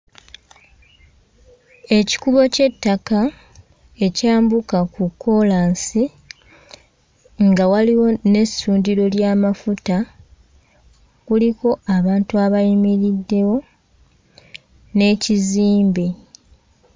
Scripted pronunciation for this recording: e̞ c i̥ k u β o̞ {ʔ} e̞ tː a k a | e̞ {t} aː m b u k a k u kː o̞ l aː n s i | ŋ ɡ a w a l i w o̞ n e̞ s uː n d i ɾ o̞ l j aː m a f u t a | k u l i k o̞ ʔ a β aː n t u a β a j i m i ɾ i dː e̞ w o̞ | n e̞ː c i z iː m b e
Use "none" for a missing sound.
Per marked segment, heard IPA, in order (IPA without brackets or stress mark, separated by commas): c, c